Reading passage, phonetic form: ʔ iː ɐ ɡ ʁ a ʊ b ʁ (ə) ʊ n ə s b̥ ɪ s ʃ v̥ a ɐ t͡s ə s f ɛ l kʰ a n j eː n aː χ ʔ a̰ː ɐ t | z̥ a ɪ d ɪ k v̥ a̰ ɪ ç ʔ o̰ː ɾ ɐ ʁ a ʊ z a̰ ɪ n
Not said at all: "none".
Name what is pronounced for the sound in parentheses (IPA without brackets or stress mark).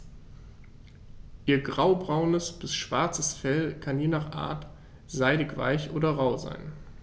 a